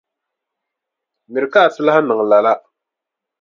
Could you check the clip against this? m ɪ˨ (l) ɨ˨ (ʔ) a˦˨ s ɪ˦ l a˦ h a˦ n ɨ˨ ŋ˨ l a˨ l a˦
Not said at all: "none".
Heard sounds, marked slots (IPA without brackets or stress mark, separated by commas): ɾ, k